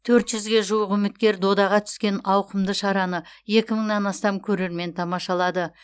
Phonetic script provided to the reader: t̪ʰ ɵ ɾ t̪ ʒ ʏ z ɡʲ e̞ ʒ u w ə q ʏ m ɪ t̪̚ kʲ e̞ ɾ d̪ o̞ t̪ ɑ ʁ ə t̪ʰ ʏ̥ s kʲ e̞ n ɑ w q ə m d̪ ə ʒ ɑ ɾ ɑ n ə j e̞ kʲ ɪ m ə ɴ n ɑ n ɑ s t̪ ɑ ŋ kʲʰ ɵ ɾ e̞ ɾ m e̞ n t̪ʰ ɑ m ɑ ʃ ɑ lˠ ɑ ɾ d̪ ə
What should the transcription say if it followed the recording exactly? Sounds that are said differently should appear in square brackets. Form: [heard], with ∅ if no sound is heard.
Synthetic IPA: t̪ʰ ɵ ɾ t̪ ʒ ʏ z ɡʲ e̞ ʒ u w ə q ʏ m ɪ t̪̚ kʲ e̞ ɾ d̪ o̞ [d̪] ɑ ʁ [ɑ] t̪ʰ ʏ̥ s kʲ e̞ n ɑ w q ə m d̪ ə [ʃ] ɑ ɾ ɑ n ə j e̞ kʲ ɪ m ə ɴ n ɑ n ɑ s t̪ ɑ [m] kʲʰ ɵ ɾ e̞ ɾ m e̞ n t̪ʰ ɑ m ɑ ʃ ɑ lˠ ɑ [∅] d̪ ə